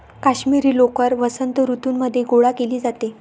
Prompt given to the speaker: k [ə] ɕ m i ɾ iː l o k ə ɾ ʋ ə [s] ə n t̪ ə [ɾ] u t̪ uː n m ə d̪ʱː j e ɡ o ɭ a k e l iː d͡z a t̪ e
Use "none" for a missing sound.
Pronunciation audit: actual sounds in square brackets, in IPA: a, s, ɾ

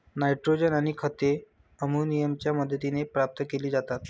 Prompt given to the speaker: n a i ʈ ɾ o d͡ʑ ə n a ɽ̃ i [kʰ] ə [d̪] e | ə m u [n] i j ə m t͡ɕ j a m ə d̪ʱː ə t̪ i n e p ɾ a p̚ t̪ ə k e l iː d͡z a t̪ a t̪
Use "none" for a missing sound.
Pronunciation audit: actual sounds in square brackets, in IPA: kʰ, t̪, n

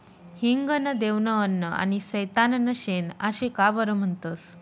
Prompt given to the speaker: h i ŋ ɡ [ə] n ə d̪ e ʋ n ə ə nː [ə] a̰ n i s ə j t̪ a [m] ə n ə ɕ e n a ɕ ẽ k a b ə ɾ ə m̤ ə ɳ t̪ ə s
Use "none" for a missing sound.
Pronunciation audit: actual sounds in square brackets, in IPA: ə, ə, n

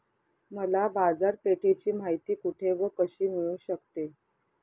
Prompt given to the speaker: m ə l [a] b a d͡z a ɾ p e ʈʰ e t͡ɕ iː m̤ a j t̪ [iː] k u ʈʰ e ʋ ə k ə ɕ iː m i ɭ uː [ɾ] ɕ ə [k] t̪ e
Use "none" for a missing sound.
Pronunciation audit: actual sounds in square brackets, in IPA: a, iː, none, k

